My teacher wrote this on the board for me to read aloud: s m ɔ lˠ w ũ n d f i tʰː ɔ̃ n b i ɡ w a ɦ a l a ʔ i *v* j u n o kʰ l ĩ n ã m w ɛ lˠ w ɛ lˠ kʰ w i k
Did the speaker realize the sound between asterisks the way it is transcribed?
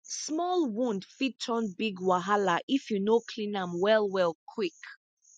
no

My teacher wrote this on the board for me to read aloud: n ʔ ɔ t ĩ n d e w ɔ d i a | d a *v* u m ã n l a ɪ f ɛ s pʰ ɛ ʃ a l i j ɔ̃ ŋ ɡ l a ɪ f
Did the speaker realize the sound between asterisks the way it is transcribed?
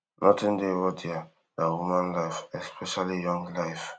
no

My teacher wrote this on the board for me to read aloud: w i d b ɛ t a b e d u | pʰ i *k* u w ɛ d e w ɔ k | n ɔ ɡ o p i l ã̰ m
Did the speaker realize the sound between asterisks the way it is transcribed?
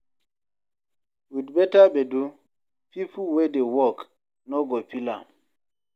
no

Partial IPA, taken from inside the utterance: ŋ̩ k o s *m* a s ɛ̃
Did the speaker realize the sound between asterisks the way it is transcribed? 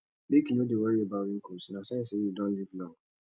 no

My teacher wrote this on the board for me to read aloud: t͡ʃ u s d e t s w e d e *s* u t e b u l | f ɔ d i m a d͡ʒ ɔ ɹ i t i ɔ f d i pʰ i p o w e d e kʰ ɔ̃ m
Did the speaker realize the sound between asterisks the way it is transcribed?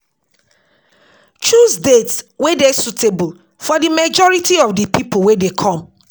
yes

